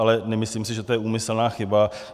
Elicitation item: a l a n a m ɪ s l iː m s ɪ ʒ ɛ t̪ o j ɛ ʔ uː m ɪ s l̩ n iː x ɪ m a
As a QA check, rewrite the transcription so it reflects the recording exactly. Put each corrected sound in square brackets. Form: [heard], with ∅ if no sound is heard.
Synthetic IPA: a l [ɛ] n [ɛ] m ɪ s l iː m s ɪ ʒ ɛ t̪ o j ɛ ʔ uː m ɪ s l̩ n [aː] x ɪ [b] a